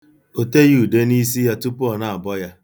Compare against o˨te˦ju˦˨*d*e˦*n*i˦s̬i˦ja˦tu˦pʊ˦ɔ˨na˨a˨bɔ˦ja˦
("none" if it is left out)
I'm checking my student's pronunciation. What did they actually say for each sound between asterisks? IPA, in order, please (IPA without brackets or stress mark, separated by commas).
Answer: d, n